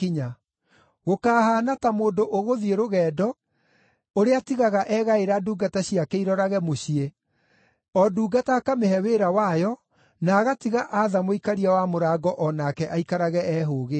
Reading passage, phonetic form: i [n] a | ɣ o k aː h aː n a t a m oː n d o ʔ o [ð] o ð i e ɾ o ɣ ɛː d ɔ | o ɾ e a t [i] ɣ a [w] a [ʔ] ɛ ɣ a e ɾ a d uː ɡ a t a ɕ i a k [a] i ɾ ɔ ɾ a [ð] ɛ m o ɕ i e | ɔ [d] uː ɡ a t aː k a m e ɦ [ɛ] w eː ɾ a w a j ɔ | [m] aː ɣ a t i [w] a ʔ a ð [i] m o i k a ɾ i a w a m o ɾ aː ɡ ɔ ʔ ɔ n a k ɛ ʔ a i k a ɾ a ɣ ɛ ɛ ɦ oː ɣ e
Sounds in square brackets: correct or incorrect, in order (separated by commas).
incorrect, incorrect, correct, incorrect, correct, incorrect, incorrect, correct, correct, incorrect, incorrect, incorrect